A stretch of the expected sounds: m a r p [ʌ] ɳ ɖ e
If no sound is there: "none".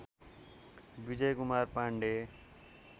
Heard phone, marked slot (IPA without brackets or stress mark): a